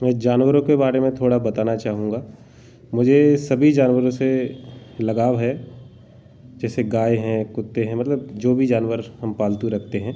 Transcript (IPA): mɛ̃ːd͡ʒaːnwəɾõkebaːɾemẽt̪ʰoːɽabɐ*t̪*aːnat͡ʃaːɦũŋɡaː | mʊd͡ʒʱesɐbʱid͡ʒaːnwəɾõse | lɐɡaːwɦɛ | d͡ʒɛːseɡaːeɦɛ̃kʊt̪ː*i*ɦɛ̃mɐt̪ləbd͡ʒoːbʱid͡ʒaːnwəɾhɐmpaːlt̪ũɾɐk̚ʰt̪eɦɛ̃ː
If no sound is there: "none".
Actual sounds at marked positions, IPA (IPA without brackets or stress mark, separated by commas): t̪, e